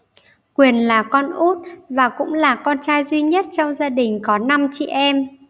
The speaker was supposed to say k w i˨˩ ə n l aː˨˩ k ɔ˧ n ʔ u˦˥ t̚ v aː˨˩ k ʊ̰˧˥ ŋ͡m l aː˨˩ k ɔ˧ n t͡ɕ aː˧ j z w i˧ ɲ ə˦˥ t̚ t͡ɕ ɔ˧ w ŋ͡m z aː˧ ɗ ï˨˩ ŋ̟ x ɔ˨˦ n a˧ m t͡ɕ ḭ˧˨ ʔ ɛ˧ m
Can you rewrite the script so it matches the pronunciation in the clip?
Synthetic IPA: k w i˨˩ ə n l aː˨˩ k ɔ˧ n ʔ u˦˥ t̚ v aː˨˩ k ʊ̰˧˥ ŋ͡m l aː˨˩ k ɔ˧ n t͡ɕ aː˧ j z w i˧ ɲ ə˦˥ t̚ t͡ɕ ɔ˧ w ŋ͡m z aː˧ ɗ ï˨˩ ŋ̟ k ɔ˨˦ n a˧ m t͡ɕ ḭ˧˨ ʔ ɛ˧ m

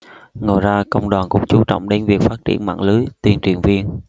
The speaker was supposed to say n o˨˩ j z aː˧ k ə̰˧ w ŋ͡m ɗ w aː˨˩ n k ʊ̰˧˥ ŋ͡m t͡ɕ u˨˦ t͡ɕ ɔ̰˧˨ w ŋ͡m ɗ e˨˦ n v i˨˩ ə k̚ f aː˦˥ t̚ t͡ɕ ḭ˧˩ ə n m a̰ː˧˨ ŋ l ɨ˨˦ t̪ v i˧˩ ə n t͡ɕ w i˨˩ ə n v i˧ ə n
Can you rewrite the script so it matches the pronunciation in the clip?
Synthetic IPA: ŋ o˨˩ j z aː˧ k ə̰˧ w ŋ͡m ɗ w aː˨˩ n k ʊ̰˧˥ ŋ͡m t͡ɕ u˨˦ t͡ɕ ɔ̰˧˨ w ŋ͡m ɗ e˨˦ n v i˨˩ ə k̚ f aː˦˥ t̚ t͡ɕ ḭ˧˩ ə n m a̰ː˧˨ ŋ l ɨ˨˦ t̪ w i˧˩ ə n t͡ɕ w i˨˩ ə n v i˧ ə n

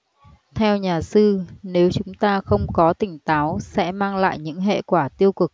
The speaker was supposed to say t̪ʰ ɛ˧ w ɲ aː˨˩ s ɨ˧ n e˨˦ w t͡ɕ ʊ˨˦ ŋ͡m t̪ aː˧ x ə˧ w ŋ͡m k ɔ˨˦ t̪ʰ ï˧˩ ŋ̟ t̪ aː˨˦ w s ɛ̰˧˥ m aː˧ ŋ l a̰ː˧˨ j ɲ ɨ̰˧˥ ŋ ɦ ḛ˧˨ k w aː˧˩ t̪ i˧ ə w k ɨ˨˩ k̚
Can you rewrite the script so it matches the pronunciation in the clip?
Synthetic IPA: t̪ʰ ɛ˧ w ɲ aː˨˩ s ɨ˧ n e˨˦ w t͡ɕ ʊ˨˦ ŋ͡m t̪ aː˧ x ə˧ w ŋ͡m k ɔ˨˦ t̪ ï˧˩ ŋ̟ t̪ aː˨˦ w s ɛ̰˧˥ m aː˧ ŋ l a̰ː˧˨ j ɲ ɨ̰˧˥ ŋ ɦ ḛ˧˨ k w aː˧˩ t̪ i˧ ə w k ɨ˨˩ k̚

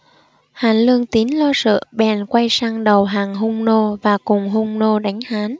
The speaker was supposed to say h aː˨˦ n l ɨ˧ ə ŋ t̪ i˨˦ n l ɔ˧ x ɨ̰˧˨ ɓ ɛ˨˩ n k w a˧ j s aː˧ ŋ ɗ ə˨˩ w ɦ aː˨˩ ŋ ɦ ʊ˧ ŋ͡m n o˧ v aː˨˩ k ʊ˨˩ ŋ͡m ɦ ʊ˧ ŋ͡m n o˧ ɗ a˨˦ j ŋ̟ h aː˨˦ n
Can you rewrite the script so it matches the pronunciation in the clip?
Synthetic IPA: h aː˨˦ n l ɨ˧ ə ŋ t̪ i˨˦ n l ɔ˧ s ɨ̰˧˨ ɓ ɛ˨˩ n k w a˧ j s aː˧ ŋ ɗ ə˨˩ w ɦ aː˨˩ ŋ ɦ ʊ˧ ŋ͡m n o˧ v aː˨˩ k ʊ˨˩ ŋ͡m ɦ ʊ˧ ŋ͡m n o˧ ɗ a˨˦ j ŋ̟ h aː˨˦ n

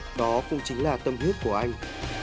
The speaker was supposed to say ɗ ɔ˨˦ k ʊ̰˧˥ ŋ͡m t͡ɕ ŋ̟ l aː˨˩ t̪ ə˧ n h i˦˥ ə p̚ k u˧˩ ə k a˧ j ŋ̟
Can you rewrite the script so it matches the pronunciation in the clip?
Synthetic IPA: ɗ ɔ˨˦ k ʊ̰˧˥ ŋ͡m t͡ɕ ŋ̟ l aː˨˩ t̪ ə˧ m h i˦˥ ə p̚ k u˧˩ ə ʔ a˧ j ŋ̟

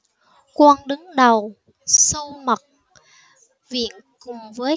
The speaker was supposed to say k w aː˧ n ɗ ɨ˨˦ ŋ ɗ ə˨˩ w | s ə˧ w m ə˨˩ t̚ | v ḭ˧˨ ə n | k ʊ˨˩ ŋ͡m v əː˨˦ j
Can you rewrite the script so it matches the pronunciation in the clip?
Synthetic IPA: k w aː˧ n ɗ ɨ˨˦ ŋ ɗ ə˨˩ w | s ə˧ w m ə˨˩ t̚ | v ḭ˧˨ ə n | k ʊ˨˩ ŋ͡m v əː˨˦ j

